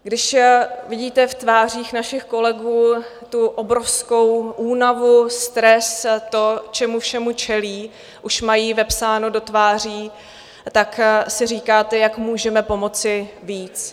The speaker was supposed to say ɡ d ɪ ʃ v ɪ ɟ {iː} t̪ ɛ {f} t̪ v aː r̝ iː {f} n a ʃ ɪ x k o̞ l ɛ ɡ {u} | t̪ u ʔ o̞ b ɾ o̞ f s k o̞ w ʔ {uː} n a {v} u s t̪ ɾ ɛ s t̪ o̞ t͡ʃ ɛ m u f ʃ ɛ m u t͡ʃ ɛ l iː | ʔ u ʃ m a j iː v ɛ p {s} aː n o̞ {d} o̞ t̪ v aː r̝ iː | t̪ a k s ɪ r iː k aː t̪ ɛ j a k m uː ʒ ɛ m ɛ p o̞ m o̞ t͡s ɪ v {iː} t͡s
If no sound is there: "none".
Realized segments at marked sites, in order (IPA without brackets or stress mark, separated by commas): iː, f, x, uː, uː, v, s, d, iː